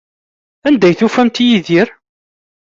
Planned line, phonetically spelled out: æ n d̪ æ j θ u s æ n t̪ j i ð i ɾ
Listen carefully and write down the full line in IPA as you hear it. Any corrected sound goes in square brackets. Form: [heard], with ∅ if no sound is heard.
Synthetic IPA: æ n d̪ æ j θ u [f] æ [m] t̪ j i ð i ɾ